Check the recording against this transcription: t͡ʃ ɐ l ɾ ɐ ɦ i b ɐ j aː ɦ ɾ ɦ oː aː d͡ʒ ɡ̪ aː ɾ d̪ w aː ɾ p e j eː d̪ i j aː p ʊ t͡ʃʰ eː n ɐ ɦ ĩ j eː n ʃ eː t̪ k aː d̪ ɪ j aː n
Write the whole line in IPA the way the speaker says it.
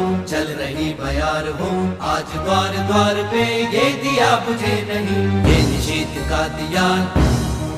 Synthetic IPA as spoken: t͡ʃ ɐ l ɾ ɐ ɦ i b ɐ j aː ɾ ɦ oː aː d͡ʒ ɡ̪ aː ɾ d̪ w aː ɾ p e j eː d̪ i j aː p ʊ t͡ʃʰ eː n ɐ ɦ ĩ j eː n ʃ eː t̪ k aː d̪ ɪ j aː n